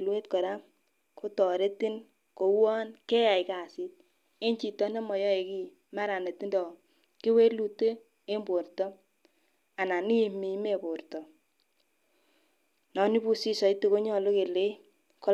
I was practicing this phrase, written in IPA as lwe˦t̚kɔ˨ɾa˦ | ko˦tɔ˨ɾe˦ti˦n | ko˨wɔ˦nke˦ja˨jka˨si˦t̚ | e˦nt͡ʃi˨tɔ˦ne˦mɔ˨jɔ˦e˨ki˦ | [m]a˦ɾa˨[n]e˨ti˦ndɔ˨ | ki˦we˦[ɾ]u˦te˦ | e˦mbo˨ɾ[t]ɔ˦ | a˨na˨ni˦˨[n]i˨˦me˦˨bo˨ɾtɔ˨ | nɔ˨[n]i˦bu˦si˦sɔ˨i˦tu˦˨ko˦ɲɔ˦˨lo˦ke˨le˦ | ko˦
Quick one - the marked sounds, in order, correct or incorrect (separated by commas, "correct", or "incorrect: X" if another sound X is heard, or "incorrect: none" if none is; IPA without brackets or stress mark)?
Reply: correct, correct, incorrect: l, correct, incorrect: m, correct